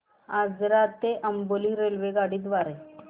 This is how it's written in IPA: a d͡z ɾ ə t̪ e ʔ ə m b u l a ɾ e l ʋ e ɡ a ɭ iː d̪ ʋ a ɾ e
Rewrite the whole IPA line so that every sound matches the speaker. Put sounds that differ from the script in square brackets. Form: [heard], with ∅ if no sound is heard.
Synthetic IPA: a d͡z ɾ [a] t̪ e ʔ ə m b [o] l [i] ɾ e l ʋ e ɡ a [ɽ] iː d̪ ʋ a ɾ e